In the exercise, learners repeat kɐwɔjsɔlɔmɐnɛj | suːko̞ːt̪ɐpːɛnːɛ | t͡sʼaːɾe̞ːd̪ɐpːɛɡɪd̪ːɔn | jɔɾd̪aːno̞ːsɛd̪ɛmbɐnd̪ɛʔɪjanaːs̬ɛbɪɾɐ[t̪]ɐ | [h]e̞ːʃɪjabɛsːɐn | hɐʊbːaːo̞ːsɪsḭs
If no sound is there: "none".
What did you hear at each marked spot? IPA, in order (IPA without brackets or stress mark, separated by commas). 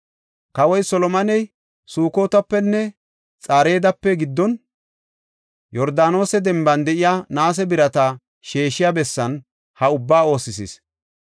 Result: t̪, ʃ